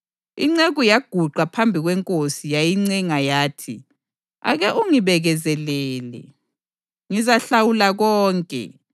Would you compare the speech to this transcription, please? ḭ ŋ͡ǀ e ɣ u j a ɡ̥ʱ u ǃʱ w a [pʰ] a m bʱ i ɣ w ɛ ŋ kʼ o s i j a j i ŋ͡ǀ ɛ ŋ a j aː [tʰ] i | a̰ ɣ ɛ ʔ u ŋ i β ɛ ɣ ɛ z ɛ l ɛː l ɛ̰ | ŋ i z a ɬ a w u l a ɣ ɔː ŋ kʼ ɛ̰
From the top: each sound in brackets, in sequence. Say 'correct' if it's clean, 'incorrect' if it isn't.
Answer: correct, correct

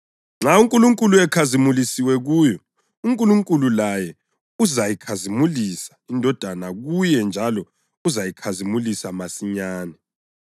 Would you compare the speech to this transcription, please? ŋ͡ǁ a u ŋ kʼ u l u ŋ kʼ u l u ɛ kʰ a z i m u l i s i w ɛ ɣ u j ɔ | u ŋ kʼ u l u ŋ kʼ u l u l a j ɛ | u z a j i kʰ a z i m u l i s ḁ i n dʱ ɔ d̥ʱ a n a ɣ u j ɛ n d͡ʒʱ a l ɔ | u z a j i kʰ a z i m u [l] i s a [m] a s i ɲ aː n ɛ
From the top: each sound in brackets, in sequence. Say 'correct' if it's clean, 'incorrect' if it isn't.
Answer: correct, correct

